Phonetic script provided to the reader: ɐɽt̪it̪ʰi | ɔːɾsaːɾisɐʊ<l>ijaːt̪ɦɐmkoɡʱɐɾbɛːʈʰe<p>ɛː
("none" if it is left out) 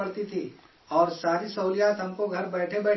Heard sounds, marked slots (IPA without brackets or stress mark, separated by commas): l, b